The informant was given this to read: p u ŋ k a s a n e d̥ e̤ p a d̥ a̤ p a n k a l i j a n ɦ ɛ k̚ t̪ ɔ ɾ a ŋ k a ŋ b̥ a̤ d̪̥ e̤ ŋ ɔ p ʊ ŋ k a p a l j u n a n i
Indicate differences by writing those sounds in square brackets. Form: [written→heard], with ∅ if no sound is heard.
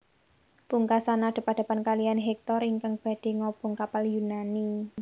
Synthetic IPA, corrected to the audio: p u ŋ k a s a n [e→a] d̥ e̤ p a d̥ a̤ p a n k a l i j a n ɦ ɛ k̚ t̪ ɔ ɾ [a→i] ŋ k a ŋ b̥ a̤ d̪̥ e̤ ŋ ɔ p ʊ ŋ k a p a l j u n a n i